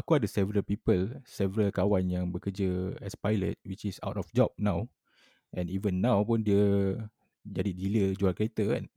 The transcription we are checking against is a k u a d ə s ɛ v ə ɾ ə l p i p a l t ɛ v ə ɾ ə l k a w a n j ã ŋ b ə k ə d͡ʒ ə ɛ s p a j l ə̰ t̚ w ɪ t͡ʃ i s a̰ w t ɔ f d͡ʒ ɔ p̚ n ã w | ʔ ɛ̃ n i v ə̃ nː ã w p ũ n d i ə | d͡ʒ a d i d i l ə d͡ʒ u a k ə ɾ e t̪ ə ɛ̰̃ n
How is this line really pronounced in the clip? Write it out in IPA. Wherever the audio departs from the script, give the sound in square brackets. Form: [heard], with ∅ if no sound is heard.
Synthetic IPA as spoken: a k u a d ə s ɛ v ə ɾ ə l p i p [ə] l [s] ɛ v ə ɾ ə l k a w a n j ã ŋ b ə k ə d͡ʒ ə ɛ s p a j l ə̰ t̚ w [i] t͡ʃ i s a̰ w t ɔ f d͡ʒ ɔ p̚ n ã w | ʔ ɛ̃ n i v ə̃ nː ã w p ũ n d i ə | d͡ʒ a d i d i l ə d͡ʒ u a k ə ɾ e t̪ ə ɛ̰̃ n